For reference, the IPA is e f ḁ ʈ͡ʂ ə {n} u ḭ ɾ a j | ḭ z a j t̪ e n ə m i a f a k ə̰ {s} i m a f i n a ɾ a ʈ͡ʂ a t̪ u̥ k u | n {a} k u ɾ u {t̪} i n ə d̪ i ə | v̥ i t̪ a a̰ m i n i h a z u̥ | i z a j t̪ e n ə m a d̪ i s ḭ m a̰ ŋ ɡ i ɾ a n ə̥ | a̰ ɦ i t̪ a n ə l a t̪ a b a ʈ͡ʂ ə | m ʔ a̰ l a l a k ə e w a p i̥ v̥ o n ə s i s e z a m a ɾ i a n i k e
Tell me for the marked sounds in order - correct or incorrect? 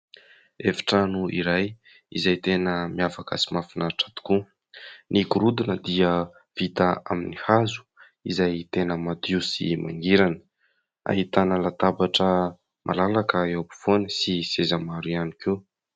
correct, correct, incorrect, incorrect

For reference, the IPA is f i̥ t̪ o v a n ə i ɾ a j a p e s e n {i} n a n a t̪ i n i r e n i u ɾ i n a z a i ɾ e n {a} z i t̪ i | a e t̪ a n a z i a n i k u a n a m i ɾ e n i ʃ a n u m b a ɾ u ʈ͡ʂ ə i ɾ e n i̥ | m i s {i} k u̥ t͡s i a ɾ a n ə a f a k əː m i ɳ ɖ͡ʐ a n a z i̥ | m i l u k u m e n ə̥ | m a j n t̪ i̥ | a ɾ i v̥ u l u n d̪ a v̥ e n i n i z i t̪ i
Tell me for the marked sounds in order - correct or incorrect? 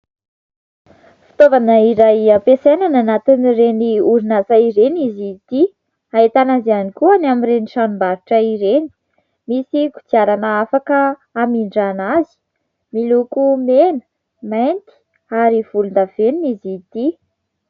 incorrect, incorrect, correct

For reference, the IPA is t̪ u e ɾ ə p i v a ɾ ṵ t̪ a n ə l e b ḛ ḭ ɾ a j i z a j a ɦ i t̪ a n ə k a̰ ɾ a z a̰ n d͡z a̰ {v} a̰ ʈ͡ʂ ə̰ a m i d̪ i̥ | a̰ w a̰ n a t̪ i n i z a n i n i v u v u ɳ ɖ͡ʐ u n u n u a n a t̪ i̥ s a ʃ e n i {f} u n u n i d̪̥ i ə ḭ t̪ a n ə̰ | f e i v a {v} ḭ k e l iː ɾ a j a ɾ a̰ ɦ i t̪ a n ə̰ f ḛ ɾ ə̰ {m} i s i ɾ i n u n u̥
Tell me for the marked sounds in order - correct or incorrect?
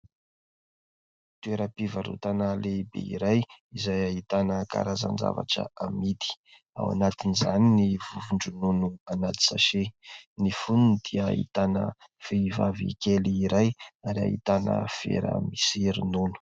correct, correct, correct, correct

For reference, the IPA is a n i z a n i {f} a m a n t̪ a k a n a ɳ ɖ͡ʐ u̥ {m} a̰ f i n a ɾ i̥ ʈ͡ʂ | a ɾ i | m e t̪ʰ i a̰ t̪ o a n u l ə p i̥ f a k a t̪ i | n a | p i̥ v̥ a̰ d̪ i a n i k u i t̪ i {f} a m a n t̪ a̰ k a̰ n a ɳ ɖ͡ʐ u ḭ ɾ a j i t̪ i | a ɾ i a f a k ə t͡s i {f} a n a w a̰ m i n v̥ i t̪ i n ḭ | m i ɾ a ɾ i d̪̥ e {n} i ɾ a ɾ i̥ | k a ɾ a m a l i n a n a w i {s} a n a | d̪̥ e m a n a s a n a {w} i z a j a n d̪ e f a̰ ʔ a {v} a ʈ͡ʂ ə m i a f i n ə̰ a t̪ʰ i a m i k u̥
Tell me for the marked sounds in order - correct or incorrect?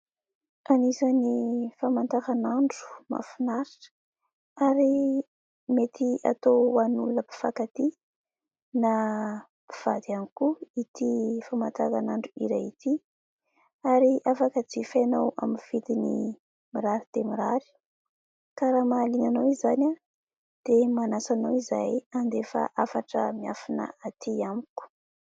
correct, correct, correct, correct, incorrect, incorrect, correct, incorrect

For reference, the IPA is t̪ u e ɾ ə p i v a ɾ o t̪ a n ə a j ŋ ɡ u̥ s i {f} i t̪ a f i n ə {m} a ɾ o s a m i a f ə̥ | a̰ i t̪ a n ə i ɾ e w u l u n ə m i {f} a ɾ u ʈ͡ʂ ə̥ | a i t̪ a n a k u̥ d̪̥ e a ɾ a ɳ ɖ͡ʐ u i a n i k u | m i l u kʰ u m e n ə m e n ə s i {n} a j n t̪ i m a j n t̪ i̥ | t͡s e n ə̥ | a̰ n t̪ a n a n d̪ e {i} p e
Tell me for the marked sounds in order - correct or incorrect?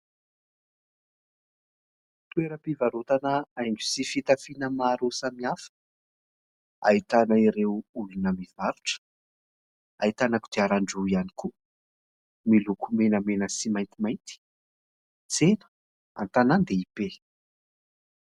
correct, correct, incorrect, incorrect, correct

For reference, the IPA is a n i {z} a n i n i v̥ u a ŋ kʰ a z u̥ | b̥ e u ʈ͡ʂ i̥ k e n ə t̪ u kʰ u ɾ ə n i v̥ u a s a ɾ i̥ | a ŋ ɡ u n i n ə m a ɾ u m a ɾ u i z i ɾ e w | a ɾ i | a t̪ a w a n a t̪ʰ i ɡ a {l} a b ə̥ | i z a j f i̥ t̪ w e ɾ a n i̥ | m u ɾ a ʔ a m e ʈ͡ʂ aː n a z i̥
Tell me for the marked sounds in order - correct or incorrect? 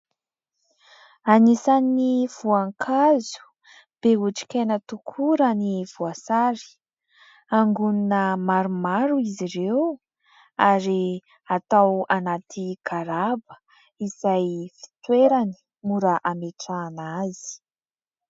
incorrect, incorrect

